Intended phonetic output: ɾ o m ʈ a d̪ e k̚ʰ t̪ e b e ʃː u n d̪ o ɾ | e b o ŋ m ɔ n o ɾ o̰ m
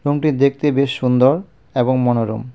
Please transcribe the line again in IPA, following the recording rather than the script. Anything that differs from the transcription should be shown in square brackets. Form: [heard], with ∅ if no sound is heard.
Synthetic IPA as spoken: ɾ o m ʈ [i] d̪ e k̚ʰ t̪ e b e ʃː u n d̪ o ɾ | e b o ŋ m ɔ n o ɾ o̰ m